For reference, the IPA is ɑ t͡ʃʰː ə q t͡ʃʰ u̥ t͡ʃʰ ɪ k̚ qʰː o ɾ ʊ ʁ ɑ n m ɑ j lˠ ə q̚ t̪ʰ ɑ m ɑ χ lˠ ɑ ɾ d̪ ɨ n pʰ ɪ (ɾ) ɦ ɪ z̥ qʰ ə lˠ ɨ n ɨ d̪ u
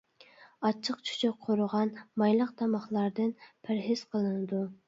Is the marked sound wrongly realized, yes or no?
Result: no